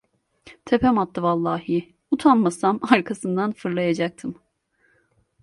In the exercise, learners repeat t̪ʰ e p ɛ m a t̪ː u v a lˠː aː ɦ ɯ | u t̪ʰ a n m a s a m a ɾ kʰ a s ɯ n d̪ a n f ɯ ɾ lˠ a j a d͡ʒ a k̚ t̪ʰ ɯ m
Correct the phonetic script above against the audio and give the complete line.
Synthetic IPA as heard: t̪ʰ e p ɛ m a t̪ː ɯ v a lˠː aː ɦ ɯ | u t̪ʰ a n m a s a m a ɾ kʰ a s ɯ n d̪ a n f ɯ ɾ lˠ a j a d͡ʒ a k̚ t̪ʰ ɯ m